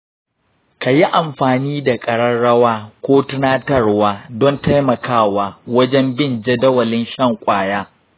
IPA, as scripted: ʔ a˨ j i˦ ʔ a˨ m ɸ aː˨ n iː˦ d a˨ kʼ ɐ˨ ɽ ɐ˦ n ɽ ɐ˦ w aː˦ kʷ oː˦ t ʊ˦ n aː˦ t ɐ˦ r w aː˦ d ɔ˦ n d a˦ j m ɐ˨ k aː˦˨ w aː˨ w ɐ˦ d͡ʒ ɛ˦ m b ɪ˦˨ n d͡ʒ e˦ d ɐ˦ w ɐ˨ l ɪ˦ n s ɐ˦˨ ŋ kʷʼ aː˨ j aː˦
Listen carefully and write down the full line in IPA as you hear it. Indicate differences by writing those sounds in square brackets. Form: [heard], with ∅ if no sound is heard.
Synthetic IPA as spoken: [k] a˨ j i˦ ʔ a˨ m ɸ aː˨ n iː˦ d a˨ kʼ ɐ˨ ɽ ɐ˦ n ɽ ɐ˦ w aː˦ kʷ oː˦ t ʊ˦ n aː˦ t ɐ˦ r w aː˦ d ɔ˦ n [t] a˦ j m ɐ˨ k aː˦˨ w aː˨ w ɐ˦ d͡ʒ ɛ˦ m b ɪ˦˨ n d͡ʒ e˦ d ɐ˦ w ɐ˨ l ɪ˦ n [ʃ] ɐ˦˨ ŋ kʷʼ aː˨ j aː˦